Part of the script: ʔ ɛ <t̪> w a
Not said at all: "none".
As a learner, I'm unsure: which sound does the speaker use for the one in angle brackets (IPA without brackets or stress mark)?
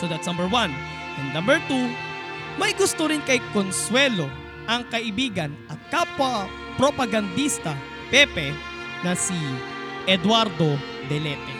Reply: d̪